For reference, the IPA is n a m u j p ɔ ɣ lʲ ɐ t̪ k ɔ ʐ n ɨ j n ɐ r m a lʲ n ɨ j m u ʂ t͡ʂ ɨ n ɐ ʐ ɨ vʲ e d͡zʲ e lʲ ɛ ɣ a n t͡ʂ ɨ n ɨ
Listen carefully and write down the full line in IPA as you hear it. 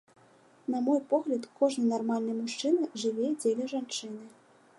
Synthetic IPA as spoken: n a m ɔ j p ɔ ɣ lʲ ɐ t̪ k ɔ ʐ n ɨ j n a r m a lʲ n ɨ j m u ʂ t͡ʂ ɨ n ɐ ʐ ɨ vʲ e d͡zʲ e lʲ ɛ ʐ a n t͡ʂ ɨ n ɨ